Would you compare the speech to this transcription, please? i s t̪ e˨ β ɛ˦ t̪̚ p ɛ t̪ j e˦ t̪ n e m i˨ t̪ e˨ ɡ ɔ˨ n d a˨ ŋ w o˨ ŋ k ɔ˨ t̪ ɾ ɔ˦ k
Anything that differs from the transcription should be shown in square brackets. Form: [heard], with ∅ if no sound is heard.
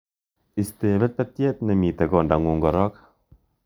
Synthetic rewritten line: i s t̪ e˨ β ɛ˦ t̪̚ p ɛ t̪ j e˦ t̪ n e m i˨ t̪ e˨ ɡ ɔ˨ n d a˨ ŋ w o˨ ŋ [ɡ] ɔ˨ [∅] ɾ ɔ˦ k